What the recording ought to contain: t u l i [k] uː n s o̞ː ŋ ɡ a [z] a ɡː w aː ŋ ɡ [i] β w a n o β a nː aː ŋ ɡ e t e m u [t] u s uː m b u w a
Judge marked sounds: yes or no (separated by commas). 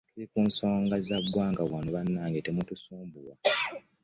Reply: yes, yes, no, yes